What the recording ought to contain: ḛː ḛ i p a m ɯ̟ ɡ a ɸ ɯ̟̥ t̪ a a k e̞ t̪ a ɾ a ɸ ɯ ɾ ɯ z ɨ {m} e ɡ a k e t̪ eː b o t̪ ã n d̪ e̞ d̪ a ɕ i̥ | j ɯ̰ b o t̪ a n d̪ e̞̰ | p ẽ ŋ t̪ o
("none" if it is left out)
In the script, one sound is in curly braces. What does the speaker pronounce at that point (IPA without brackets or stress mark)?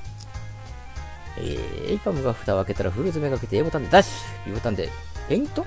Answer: m